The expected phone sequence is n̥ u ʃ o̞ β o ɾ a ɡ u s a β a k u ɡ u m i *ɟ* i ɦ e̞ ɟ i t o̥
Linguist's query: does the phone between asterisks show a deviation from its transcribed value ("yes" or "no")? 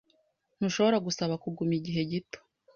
no